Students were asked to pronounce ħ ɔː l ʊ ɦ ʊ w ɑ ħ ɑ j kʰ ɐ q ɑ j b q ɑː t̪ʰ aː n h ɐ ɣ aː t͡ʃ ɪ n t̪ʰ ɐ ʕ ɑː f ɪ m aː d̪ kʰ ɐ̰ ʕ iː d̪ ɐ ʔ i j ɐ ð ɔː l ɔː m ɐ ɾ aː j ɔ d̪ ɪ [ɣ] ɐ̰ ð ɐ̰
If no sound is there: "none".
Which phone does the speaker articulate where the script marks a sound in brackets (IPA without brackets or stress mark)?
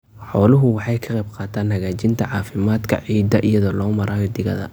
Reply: ɣ